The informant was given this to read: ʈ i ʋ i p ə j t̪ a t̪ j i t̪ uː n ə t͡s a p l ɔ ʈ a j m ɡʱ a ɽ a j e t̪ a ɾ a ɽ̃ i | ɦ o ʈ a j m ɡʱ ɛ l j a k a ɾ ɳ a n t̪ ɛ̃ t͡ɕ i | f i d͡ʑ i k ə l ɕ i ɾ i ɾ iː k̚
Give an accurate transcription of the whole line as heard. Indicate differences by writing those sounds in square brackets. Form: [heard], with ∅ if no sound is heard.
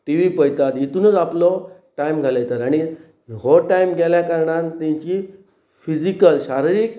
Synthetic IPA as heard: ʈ i ʋ i p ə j t̪ a t̪ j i t̪ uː n ə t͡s a p l ɔ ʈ a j m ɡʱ a [l] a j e t̪ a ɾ a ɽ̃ i | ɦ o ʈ a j m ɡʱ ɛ l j a k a ɾ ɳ a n t̪ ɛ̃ t͡ɕ i | f i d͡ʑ i k ə l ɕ [a] ɾ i ɾ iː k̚